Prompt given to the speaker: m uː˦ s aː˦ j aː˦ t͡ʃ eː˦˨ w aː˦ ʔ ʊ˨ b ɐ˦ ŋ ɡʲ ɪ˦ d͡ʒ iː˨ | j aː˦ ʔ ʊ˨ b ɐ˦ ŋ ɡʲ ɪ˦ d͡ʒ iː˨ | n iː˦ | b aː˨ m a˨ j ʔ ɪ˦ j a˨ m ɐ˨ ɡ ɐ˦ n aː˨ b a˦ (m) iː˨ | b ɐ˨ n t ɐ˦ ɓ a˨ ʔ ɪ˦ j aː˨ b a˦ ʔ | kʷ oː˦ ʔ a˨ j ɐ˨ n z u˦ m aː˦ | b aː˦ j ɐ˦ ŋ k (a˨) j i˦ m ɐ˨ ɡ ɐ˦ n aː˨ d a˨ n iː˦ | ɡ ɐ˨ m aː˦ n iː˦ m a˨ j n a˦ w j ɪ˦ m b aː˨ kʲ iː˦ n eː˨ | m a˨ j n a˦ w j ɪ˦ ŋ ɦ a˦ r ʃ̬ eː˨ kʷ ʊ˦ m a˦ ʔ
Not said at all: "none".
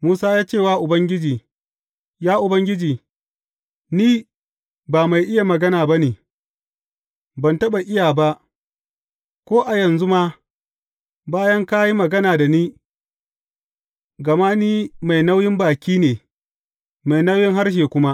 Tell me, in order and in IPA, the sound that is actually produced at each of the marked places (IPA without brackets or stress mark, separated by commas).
n, a˦